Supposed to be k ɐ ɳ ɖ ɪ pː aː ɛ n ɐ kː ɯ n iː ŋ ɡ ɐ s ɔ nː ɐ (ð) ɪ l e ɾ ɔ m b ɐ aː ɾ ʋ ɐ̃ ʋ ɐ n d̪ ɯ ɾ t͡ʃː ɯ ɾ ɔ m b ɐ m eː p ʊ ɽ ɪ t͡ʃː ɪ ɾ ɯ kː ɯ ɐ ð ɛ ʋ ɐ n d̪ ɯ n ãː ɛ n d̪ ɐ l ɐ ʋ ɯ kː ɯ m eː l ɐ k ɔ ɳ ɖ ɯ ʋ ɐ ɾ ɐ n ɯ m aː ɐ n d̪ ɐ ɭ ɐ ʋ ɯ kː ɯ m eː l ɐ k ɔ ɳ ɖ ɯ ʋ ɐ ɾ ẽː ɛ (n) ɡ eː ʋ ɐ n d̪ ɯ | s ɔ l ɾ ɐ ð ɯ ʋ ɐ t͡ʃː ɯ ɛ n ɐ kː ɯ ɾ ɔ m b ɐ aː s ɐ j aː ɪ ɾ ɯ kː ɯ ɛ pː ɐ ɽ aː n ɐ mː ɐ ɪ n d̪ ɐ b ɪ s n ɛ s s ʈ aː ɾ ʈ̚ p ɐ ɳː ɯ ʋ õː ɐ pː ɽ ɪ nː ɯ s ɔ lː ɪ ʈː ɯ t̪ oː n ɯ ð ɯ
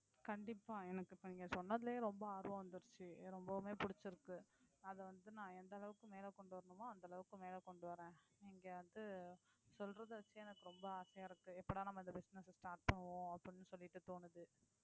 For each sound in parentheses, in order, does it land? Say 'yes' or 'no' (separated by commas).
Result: yes, no